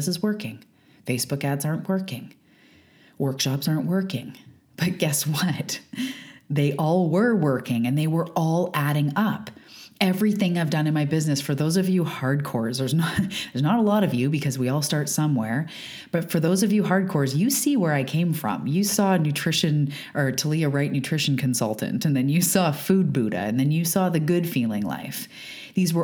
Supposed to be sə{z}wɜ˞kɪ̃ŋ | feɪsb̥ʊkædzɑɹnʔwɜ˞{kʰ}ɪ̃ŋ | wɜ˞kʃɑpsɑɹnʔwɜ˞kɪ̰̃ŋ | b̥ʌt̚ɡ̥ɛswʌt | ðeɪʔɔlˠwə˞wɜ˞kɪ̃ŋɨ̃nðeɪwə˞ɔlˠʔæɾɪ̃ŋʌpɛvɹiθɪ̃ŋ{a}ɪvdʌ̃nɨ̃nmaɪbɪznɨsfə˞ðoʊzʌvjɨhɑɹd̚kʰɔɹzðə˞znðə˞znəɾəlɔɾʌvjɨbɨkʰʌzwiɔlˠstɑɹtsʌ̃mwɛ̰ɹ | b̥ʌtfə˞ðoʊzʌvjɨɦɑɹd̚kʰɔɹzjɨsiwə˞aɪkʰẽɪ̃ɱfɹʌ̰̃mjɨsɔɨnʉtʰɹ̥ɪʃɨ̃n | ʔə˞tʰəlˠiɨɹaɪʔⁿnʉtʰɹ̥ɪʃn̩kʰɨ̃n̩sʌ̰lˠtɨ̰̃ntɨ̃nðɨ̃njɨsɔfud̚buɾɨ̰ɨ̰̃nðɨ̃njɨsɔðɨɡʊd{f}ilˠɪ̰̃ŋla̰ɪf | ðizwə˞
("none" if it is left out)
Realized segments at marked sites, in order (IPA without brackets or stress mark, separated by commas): z, k, a, f